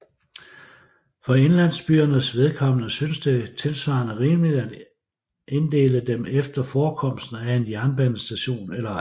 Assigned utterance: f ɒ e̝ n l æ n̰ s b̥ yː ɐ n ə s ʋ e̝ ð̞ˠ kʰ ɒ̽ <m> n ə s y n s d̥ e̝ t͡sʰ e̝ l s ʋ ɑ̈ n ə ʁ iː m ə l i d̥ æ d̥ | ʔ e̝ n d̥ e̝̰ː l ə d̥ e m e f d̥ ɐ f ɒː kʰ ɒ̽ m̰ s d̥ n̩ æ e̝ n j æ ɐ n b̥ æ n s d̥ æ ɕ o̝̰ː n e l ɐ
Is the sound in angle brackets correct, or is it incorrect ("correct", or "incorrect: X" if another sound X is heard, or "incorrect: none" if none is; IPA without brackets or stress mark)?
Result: correct